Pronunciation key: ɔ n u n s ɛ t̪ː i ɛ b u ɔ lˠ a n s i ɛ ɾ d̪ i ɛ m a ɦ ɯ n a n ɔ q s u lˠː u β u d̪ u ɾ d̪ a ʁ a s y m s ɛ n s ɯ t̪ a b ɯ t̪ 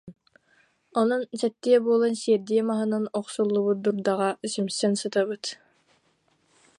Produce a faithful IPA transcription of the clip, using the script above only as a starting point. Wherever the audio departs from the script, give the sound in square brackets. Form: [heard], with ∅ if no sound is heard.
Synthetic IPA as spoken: ɔ n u n s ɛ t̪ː i ɛ b u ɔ lˠ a n s i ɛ ɾ d̪ i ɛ m a ɦ ɯ n a n ɔ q s u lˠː u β u d̪ u ɾ d̪ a ʁ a s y m s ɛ n s ɯ t̪ a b ɯ t̪